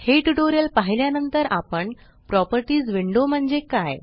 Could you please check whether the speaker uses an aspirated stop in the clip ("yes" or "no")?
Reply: no